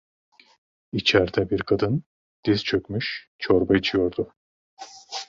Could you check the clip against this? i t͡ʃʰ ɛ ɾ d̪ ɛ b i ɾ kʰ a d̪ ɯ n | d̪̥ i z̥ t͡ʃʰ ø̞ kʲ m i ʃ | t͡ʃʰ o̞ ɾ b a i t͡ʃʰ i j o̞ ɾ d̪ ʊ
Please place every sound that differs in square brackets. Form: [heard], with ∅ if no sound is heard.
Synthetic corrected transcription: i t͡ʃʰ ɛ ɾ d̪ ɛ b i ɾ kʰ a d̪ ɯ n | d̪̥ i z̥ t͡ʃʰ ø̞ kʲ m [y] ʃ | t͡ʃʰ o̞ ɾ b a i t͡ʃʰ i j o̞ ɾ d̪ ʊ

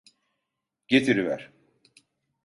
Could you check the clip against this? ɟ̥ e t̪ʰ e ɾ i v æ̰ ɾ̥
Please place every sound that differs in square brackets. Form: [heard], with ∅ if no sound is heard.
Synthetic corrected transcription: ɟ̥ e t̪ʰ [i] ɾ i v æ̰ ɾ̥

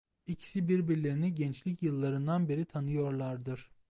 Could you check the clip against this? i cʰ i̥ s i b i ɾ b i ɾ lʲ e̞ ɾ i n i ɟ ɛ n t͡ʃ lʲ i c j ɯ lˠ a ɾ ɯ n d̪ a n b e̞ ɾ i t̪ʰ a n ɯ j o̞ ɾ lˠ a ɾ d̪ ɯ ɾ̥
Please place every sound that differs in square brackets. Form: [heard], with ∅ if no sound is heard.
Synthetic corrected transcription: i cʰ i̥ s i b i ɾ b i ɾ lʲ e̞ ɾ i n i ɟ ɛ n t͡ʃ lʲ i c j ɯ [lˠː] a ɾ ɯ n d̪ a n b e̞ ɾ i t̪ʰ a n ɯ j o̞ ɾ lˠ a ɾ d̪ ɯ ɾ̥

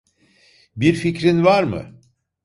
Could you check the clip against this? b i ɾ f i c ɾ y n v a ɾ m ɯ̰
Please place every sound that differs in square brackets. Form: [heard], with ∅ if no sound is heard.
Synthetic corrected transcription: b i ɾ f i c ɾ [i] n v a ɾ m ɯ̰

